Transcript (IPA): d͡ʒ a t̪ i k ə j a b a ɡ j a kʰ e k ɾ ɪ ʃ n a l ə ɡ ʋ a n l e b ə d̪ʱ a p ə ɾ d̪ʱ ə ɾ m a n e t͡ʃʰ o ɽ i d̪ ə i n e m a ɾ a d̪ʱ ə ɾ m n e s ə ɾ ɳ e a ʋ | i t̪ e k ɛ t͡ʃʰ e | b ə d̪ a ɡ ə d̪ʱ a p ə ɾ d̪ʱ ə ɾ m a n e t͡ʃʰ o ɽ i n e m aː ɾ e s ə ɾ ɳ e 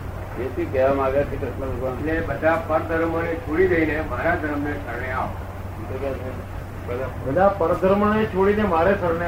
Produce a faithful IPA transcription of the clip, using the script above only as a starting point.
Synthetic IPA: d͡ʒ e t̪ i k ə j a m a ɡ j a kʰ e k ɾ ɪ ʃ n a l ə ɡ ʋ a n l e b ə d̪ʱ a p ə ɾ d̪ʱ ə ɾ m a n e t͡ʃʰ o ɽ i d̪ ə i n e m a ɾ a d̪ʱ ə ɾ m n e s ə ɾ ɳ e a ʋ | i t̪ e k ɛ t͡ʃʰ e | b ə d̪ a b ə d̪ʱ a p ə ɾ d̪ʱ ə ɾ m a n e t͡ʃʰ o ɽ i n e m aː ɾ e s ə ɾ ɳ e